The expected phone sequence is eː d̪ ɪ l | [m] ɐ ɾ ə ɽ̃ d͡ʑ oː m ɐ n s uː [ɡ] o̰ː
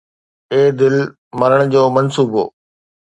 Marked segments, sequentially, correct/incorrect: correct, incorrect: b

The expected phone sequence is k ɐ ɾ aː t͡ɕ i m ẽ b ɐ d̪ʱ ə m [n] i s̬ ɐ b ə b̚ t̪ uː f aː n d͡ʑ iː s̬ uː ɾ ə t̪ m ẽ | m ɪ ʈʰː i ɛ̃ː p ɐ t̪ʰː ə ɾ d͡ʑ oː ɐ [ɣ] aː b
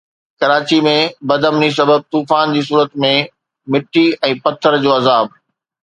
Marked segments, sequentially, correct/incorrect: correct, incorrect: z

